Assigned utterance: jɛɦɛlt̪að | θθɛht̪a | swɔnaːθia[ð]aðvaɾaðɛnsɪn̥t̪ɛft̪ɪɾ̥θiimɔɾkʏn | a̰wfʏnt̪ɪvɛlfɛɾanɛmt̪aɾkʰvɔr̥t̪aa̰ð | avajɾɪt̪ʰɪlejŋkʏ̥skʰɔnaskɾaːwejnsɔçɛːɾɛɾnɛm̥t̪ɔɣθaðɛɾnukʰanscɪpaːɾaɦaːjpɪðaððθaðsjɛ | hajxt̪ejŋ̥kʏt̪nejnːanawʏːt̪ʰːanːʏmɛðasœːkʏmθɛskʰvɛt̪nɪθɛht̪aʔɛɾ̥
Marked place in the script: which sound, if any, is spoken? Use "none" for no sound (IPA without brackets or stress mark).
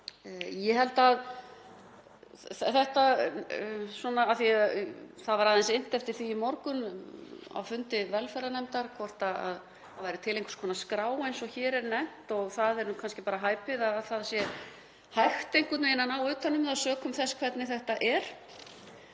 θ